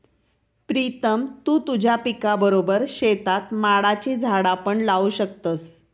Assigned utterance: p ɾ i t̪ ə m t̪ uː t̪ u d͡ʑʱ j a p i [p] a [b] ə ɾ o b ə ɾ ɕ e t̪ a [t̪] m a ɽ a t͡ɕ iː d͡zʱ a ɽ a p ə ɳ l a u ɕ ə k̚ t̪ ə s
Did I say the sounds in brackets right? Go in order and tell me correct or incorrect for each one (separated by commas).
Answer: incorrect, correct, correct